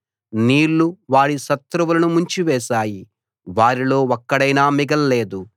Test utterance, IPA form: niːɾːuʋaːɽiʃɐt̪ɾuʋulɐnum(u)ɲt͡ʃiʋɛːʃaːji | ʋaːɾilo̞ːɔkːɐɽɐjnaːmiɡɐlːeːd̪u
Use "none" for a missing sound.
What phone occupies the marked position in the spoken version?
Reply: u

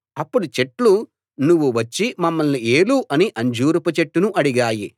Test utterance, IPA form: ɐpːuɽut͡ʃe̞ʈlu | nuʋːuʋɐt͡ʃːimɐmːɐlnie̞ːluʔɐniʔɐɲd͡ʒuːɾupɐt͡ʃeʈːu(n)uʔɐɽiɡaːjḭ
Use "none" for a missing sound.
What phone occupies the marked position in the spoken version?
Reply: n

